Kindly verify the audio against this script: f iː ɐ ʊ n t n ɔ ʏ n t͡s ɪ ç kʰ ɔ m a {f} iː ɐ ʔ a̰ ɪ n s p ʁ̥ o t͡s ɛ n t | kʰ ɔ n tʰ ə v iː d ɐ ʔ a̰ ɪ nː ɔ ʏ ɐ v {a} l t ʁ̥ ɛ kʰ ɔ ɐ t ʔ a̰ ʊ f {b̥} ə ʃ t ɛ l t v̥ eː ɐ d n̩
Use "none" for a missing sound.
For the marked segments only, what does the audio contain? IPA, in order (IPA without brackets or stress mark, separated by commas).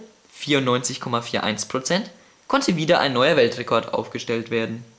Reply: f, ɛ, ɡ̥